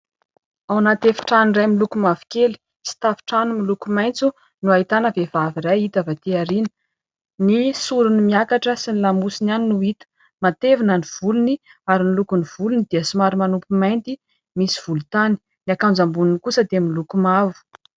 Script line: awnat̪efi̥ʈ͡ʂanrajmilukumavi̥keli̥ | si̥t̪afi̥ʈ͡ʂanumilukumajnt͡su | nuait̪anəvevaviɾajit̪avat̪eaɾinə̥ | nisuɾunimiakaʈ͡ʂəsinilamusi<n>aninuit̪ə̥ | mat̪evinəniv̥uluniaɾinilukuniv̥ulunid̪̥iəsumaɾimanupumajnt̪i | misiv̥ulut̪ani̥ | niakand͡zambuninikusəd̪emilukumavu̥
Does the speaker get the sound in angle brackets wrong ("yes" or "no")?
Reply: no